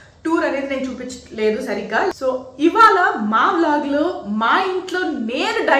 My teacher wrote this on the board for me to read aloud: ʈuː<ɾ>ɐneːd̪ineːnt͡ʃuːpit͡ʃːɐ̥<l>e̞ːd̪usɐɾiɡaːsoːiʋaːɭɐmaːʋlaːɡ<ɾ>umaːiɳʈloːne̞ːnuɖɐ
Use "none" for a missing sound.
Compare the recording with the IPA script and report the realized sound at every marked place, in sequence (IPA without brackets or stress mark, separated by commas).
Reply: ɾ, l, l